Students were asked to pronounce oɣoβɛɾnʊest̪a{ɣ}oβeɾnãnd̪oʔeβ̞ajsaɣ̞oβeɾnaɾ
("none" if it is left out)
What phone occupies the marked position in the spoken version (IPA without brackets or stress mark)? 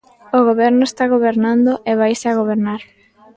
ɣ